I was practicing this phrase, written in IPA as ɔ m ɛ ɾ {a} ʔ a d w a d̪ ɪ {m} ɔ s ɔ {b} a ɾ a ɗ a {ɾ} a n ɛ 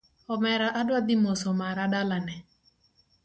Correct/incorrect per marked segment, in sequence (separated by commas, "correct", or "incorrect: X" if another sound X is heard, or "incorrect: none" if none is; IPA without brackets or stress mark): correct, correct, incorrect: m, incorrect: l